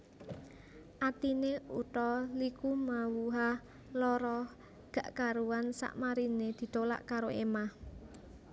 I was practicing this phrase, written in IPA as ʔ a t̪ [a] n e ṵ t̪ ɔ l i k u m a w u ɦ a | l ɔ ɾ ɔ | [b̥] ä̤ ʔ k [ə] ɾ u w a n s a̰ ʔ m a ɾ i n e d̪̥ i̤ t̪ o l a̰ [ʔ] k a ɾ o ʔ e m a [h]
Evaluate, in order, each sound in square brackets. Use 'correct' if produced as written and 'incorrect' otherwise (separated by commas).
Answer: incorrect, incorrect, incorrect, correct, correct